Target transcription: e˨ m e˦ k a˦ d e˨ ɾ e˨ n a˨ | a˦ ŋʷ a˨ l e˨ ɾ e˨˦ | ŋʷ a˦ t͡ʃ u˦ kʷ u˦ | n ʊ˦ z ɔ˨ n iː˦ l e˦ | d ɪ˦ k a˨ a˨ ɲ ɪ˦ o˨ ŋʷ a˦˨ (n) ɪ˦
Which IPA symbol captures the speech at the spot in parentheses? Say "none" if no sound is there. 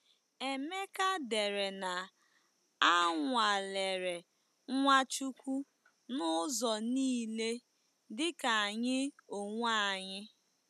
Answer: ɲ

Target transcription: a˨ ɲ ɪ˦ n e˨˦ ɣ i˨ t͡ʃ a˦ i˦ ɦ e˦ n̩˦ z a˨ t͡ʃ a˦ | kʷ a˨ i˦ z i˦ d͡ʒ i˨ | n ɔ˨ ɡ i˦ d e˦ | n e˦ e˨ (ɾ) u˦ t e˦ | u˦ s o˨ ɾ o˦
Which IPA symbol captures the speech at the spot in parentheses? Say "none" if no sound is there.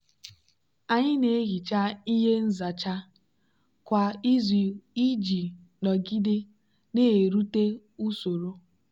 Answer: ɾ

